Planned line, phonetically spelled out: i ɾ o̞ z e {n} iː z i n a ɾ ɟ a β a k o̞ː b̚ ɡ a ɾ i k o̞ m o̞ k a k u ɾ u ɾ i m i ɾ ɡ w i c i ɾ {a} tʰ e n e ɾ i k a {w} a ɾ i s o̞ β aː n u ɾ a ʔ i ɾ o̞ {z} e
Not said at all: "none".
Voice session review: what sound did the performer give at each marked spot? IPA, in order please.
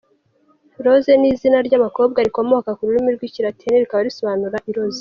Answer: n, a, β, z

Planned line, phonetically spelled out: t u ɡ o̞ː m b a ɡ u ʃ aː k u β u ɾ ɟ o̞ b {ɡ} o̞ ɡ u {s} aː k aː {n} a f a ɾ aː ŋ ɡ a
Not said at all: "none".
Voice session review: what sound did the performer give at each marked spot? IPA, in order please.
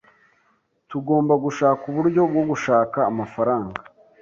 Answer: ɡ, ʃ, m

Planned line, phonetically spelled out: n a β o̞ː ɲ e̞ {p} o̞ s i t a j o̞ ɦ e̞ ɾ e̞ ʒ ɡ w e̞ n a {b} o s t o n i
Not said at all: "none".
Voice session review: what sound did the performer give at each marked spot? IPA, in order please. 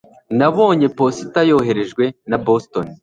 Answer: p, b

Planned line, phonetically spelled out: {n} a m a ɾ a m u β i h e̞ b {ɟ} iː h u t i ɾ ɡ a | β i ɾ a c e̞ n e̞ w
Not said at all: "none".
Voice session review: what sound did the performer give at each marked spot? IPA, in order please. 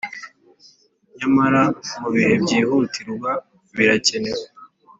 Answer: ɲ, ɟ

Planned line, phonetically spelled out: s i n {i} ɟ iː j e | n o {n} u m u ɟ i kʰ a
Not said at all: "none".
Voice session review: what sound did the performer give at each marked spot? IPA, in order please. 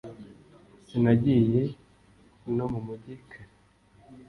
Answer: a, m

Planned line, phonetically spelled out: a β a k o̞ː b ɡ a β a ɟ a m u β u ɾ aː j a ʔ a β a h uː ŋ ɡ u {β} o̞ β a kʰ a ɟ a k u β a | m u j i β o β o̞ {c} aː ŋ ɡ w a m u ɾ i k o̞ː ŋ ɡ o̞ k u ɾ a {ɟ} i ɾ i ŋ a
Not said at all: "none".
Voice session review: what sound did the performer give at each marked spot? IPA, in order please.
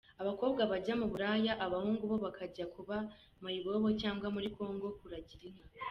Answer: β, c, ɟ

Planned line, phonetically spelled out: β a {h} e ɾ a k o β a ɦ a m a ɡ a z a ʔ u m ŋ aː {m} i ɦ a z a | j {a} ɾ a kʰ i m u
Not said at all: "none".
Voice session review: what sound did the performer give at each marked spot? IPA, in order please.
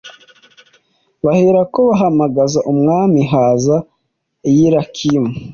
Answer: h, m, i

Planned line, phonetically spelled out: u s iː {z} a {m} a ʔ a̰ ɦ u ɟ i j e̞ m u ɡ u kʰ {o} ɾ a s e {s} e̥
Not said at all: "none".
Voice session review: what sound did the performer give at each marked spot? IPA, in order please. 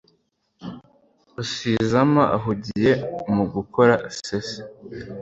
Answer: z, m, o, s

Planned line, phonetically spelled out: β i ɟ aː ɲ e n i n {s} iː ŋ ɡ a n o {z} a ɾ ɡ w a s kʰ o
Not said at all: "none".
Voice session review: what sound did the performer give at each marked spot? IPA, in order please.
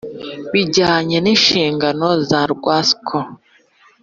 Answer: ʃ, z

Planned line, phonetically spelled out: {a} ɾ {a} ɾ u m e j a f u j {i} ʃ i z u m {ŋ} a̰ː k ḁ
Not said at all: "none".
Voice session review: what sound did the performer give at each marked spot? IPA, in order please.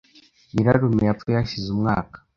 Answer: i, a, a, ŋ

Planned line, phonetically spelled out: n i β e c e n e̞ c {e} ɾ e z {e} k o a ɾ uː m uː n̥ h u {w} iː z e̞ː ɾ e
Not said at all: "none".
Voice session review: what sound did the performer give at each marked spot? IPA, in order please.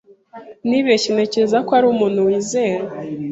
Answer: e, a, w

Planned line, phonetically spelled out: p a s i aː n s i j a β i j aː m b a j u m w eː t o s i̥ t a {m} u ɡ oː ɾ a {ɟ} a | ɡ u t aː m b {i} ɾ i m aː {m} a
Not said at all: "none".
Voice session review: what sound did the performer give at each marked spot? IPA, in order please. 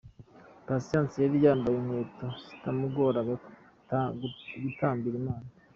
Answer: m, ɡ, i, n

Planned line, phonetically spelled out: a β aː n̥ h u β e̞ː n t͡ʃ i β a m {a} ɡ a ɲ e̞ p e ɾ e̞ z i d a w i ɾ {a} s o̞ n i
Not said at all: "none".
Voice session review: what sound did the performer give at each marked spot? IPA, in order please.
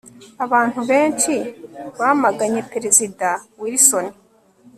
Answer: a, i

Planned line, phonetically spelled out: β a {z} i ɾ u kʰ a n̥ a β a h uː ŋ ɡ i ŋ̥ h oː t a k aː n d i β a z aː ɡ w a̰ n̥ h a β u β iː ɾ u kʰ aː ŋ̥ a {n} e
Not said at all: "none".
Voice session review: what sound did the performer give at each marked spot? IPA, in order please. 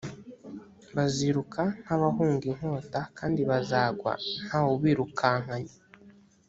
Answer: z, ɲ

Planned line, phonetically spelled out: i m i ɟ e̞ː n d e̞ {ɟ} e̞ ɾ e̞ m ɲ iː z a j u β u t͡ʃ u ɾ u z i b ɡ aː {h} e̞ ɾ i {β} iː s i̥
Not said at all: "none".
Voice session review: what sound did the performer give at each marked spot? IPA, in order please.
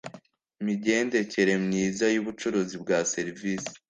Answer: c, s, v

